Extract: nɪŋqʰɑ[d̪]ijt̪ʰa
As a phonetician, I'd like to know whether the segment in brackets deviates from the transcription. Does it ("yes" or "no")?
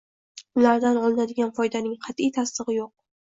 yes